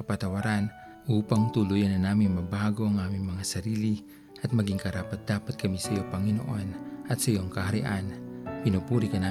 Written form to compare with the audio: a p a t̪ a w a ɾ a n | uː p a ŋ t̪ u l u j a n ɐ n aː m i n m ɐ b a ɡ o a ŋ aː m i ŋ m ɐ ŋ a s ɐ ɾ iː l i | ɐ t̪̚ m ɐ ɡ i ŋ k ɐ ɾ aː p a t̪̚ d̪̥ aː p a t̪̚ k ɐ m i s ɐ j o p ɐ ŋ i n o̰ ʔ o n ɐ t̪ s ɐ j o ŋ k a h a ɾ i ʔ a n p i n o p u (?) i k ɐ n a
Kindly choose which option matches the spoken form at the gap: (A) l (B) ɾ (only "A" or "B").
B